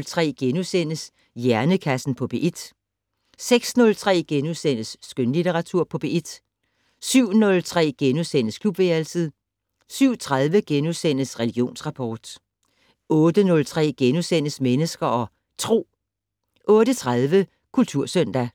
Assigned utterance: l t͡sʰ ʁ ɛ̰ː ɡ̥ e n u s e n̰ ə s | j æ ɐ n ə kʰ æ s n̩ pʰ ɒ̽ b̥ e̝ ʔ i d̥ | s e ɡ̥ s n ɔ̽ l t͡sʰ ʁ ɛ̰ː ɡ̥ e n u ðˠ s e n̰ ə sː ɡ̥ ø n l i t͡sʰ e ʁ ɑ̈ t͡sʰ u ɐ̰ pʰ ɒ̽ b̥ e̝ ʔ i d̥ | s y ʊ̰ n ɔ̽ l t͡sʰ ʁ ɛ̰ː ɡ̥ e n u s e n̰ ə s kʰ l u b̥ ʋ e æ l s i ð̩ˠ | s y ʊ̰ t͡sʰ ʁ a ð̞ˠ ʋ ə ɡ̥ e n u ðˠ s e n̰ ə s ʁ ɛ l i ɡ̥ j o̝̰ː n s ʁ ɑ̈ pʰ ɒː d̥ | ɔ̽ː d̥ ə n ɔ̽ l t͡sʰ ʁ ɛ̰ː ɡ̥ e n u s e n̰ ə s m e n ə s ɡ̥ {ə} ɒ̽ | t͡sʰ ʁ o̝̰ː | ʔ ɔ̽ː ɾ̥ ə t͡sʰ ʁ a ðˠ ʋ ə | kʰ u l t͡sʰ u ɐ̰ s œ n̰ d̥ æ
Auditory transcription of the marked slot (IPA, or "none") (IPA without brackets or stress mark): ɐ